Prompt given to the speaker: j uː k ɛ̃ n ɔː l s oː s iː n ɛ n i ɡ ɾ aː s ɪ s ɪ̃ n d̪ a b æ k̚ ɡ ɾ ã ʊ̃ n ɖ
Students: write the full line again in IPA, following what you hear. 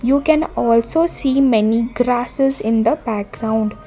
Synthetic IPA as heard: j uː k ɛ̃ n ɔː l s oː s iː m ɛ n i ɡ ɾ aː s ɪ z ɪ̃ n d̪ ə b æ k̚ ɡ ɾ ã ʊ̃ ɳ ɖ